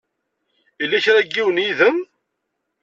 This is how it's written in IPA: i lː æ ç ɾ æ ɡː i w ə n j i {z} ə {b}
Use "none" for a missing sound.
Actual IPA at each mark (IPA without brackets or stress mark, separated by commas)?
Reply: ð, m